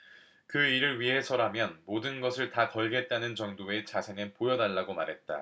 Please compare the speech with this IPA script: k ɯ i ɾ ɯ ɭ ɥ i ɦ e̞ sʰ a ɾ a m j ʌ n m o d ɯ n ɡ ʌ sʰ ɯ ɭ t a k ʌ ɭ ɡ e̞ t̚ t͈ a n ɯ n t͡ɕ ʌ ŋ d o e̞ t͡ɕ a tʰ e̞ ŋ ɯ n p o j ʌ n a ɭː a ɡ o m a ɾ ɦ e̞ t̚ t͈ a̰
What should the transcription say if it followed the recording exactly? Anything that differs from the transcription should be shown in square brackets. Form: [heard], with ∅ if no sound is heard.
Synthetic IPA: k ɯ i ɾ ɯ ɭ ɥ i ɦ e̞ sʰ [ʌ] ɾ a m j ʌ n m o d ɯ n ɡ ʌ sʰ ɯ ɭ t a k ʌ ɭ ɡ e̞ t̚ t͈ a n ɯ n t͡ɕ ʌ ŋ d o e̞ t͡ɕ a [sʰ] e̞ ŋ ɯ n p o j ʌ n a ɭː a ɡ o m a ɾ ɦ e̞ t̚ t͈ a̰